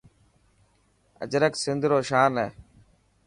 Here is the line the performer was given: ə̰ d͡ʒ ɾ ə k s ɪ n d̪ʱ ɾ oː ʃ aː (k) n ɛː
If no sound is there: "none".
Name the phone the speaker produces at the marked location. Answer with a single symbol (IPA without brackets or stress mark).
none